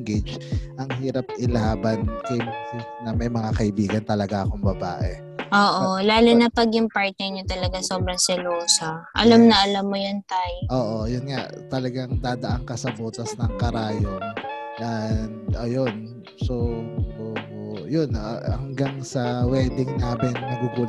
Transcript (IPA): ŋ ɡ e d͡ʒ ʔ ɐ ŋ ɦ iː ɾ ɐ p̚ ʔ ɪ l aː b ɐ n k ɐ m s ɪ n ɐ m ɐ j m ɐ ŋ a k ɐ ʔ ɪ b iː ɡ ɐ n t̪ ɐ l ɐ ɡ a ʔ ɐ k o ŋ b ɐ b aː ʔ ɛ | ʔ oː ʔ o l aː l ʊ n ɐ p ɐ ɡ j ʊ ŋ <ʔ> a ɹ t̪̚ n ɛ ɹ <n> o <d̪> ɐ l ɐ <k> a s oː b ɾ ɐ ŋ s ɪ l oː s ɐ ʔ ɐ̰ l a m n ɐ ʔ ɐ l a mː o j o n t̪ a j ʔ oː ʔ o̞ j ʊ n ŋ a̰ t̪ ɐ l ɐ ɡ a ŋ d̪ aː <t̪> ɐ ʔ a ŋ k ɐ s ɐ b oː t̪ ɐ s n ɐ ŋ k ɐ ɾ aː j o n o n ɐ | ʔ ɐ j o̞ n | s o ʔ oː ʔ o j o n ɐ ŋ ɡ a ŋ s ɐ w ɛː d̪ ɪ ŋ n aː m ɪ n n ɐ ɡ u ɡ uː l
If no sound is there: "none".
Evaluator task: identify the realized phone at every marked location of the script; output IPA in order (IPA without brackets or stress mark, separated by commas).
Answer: p, ɲ, t̪, ɡ, d̪